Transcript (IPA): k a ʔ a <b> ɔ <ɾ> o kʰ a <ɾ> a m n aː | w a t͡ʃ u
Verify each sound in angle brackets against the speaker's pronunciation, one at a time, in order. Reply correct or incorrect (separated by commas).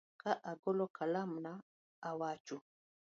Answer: incorrect, incorrect, incorrect